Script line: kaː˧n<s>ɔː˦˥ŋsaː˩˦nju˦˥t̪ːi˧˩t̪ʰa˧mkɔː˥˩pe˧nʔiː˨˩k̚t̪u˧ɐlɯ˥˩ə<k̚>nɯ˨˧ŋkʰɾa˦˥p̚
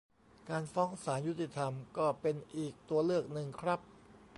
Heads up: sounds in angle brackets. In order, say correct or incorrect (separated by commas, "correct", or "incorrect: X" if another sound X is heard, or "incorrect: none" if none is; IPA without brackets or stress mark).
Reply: incorrect: f, correct